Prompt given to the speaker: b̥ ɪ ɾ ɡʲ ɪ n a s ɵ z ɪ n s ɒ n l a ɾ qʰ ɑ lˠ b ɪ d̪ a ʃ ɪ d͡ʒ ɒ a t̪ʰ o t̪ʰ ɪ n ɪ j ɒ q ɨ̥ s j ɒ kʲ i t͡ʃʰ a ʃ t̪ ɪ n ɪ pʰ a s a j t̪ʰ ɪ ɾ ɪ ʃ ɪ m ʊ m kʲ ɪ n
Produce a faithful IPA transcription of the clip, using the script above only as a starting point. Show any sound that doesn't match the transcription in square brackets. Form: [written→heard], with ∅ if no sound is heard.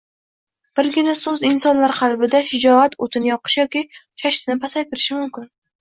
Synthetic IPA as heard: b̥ ɪ ɾ ɡʲ ɪ n a s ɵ z ɪ n s ɒ n l a ɾ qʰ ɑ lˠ b ɪ d̪ a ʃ ɪ d͡ʒ ɒ a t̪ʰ o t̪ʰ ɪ n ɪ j ɒ q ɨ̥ [s→ʃ] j ɒ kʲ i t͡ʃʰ a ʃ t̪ ɪ n ɪ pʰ a s a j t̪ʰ ɪ ɾ ɪ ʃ ɪ m ʊ m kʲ ɪ n

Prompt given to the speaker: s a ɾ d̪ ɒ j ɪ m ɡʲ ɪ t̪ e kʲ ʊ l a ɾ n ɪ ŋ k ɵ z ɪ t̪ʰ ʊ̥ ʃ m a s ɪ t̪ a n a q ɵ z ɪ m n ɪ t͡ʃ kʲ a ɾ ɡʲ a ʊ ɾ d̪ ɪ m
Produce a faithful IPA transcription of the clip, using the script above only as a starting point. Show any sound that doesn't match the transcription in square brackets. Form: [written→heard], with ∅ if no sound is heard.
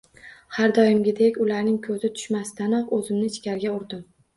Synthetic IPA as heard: [s→h] a ɾ d̪ ɒ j ɪ m ɡʲ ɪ [t̪→d̪] e kʲ ʊ l a ɾ n ɪ ŋ [k→kʰ] ɵ z ɪ t̪ʰ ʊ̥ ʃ m a s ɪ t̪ a n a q ɵ z ɪ m n ɪ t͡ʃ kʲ a ɾ ɡʲ a ʊ ɾ d̪ ɪ m

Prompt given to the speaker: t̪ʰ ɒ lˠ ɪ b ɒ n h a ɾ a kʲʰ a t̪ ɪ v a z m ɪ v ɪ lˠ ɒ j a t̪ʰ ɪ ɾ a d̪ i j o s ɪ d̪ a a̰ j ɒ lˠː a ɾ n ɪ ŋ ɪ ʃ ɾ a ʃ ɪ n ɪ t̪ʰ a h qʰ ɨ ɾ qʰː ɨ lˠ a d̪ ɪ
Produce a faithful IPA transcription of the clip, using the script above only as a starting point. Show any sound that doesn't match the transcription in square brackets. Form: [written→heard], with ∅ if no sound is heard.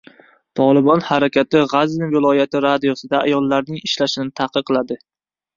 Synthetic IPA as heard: t̪ʰ ɒ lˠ ɪ b ɒ n h a ɾ a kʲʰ a t̪ ɪ [v→ʁ] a z [m→n] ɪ v ɪ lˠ ɒ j a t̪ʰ ɪ ɾ a d̪ i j o s ɪ d̪ a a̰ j ɒ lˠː a ɾ n ɪ ŋ ɪ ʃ [ɾ→l] a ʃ ɪ n ɪ t̪ʰ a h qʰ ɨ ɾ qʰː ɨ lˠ a d̪ ɪ

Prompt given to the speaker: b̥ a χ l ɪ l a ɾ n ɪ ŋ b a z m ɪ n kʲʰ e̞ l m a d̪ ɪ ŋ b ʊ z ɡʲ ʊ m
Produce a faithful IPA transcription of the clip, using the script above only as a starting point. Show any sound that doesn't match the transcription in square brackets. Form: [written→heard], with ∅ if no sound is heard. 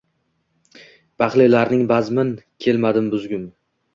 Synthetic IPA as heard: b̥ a χ l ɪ l a ɾ n ɪ ŋ b a z m ɪ n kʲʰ e̞ l m a d̪ ɪ [ŋ→m] b ʊ z ɡʲ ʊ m

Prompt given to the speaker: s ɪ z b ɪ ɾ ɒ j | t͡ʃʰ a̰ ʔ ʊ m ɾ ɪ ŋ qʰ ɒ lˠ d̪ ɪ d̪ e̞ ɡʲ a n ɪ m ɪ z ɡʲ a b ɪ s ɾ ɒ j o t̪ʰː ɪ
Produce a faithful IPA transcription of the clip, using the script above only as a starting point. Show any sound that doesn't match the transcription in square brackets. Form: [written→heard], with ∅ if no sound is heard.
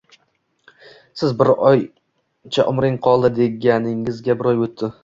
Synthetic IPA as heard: s ɪ z b ɪ ɾ ɒ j | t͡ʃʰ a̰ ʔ ʊ m ɾ ɪ ŋ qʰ ɒ lˠ d̪ ɪ d̪ e̞ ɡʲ a n ɪ [m→ŋ] ɪ z ɡʲ a b ɪ [s→∅] ɾ ɒ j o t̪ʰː ɪ

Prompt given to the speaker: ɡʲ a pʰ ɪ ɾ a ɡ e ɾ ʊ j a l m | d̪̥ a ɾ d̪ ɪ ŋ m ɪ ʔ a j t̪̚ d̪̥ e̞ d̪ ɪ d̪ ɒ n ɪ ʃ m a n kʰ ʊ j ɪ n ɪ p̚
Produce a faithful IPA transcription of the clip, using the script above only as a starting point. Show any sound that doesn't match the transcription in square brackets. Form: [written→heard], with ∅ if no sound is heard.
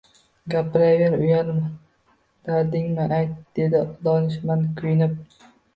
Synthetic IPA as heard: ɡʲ a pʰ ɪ ɾ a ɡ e ɾ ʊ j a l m | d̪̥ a ɾ d̪ ɪ ŋ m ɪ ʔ a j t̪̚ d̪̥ e̞ d̪ ɪ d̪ ɒ n ɪ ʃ m a n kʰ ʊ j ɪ n ɪ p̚

